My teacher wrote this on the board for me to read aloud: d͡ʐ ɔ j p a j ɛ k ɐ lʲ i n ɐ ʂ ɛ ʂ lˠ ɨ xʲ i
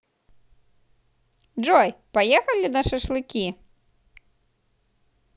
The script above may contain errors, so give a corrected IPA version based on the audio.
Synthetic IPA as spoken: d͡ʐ ɔ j p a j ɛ x ɐ lʲ i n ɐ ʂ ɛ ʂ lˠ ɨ kʲ i